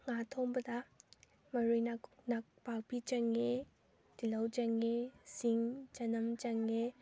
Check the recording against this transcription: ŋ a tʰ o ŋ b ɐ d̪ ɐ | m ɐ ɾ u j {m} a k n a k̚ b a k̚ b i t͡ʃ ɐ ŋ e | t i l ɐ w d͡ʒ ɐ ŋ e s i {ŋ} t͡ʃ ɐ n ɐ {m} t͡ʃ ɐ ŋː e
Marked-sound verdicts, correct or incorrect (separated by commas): incorrect, correct, correct